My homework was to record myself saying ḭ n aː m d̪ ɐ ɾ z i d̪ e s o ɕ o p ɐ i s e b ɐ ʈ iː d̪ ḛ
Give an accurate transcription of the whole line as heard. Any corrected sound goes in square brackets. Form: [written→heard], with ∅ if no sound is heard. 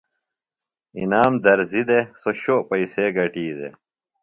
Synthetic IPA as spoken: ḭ n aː m d̪ ɐ ɾ z i d̪ e s o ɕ o p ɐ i s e [b→ɡ] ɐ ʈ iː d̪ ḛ